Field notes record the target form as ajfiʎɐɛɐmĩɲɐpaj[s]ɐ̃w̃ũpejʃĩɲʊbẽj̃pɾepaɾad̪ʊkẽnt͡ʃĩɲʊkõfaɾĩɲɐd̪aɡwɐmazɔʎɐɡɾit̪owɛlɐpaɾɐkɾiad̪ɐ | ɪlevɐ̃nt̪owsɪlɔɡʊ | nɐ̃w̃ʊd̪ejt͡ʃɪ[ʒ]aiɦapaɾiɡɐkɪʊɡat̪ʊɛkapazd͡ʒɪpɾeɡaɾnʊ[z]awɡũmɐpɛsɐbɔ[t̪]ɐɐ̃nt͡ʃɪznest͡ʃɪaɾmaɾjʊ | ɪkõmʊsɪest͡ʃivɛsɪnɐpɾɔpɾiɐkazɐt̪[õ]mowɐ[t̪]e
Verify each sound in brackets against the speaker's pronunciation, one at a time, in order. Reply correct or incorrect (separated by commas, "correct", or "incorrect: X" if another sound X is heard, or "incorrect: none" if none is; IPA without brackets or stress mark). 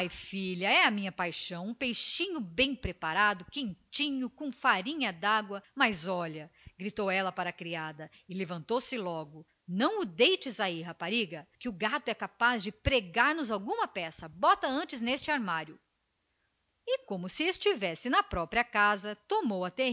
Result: incorrect: ʃ, incorrect: z, correct, correct, incorrect: o, correct